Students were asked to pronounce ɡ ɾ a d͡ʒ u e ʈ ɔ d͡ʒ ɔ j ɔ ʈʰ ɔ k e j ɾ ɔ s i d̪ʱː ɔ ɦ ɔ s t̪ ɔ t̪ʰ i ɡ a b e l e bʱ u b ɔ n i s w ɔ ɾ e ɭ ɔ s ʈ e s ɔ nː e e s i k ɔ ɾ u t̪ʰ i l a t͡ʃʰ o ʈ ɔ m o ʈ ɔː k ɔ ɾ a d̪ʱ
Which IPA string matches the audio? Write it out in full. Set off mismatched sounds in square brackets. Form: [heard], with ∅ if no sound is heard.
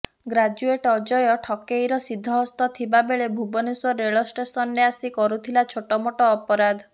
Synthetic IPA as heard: ɡ ɾ a d͡ʒ u e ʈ ɔ d͡ʒ ɔ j ɔ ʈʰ ɔ k e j ɾ ɔ s i d̪ʱː ɔ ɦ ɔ s t̪ ɔ t̪ʰ i [b] a b e [ɭ] e bʱ u b ɔ n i s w ɔ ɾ e ɭ ɔ s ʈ e s ɔ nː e [a] s i k ɔ ɾ u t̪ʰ i l a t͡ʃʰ o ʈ ɔ m o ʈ ɔː [p] ɔ ɾ a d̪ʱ